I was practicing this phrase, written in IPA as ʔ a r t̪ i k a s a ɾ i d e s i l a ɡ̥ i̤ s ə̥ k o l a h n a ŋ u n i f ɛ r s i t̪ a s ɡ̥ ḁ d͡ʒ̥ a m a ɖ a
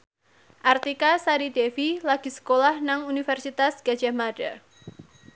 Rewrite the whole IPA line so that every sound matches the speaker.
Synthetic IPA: ʔ a r t̪ i k a s a ɾ i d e f i l a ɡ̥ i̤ s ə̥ k o l a h n a ŋ u n i f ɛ r s i t̪ a s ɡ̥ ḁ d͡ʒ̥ a m a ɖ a

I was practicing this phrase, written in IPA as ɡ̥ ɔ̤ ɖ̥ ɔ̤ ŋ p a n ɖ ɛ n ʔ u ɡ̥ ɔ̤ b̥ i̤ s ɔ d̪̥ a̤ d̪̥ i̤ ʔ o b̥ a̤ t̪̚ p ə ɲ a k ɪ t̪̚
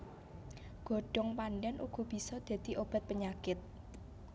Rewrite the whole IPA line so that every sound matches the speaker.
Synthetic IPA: ɡ̥ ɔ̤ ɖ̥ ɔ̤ ŋ p a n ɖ ɛ n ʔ u ɡ̥ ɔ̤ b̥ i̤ s ɔ d̪̥ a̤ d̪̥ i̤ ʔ o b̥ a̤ t̪̚ p ə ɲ a k ɪ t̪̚

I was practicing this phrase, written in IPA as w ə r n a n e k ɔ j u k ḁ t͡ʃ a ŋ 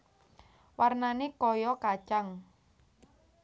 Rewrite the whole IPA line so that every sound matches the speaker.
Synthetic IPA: w a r n a n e k ɔ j ɔ k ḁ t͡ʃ a ŋ

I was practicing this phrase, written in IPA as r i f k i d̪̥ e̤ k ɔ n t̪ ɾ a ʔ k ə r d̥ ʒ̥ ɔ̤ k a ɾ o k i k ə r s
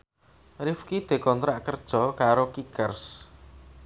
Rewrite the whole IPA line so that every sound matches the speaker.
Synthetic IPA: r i f k i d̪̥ e̤ k ɔ n t̪ ɾ a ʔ k ə r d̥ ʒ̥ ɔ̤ k a ɾ o k i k ə r s

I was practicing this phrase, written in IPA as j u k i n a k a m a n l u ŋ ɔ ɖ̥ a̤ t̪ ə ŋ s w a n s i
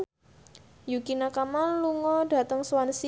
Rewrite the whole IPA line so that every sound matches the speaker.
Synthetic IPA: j u k i n a k a m a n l u ŋ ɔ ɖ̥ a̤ t̪ ə ŋ s w a n s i

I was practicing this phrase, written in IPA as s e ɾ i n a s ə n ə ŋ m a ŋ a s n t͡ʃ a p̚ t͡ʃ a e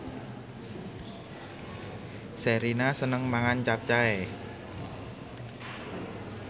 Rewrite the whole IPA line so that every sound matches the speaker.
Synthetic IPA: s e ɾ i n a s ə n ə ŋ m a ŋ a n t͡ʃ a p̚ t͡ʃ a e

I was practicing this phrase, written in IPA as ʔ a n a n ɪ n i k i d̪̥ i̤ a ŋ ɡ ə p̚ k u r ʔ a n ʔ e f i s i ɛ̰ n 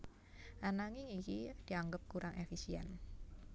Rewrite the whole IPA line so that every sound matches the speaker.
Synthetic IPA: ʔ a n a ŋ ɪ ŋ i k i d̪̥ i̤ a ŋ ɡ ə p̚ k u ɾ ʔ a ŋ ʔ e f i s i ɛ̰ n

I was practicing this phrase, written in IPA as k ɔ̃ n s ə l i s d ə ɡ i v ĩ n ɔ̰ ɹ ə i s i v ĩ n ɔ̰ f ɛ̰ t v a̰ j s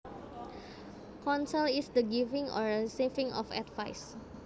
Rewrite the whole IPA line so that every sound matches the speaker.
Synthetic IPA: k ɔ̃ n s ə l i s d ə ɡ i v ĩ ŋ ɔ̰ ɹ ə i s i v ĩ ŋ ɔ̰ f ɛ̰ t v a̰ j s

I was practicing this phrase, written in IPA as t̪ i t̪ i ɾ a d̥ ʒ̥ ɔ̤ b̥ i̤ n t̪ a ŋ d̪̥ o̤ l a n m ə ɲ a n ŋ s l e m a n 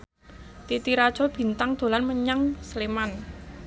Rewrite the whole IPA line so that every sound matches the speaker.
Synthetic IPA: t̪ i t̪ i ɾ a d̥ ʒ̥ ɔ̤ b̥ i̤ n t̪ a ŋ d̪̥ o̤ l a n m ə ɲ a ŋ s l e m a n

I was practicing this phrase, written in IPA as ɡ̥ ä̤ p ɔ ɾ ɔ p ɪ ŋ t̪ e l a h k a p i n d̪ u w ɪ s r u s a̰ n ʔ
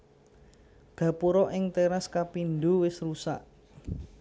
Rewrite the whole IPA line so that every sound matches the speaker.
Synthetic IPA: ɡ̥ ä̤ p u ɾ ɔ ʔ ɪ ŋ t̪ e ɾ a s k a p i n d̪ u w ɪ s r u s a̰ ʔ

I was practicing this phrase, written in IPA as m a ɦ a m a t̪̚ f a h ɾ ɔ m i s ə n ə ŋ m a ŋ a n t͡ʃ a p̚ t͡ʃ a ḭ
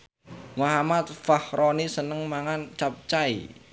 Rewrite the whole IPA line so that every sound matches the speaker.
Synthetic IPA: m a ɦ a m a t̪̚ f a h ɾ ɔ n i s ə n ə ŋ m a ŋ a n t͡ʃ a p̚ t͡ʃ a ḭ

